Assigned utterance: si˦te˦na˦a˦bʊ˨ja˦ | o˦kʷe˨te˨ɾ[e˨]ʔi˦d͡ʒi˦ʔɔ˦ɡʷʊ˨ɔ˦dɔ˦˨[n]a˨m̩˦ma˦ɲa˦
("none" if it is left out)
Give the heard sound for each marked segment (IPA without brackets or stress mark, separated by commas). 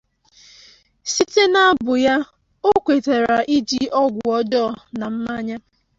a˨, n